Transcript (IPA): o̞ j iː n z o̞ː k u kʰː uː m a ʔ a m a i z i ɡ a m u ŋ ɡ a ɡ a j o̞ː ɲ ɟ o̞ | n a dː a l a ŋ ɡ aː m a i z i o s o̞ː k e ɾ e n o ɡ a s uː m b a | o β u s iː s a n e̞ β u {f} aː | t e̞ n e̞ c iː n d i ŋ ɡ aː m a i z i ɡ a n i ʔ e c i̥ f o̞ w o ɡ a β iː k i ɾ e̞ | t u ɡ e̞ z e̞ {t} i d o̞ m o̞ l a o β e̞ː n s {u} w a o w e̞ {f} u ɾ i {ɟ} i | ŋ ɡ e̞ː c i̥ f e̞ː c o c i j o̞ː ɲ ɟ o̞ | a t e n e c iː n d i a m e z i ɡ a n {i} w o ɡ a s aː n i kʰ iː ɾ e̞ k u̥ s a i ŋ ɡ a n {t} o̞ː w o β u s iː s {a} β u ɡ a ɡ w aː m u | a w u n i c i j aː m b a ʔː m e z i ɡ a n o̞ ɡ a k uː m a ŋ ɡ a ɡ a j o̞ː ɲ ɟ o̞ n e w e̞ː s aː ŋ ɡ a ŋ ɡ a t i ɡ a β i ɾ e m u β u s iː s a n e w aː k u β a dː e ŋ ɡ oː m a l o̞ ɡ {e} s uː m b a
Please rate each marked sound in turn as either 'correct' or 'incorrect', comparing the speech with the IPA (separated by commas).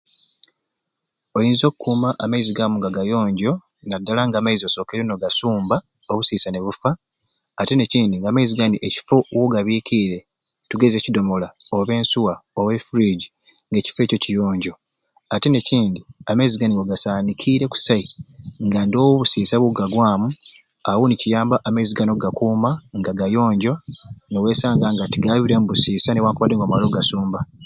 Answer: correct, incorrect, correct, correct, correct, correct, incorrect, correct, incorrect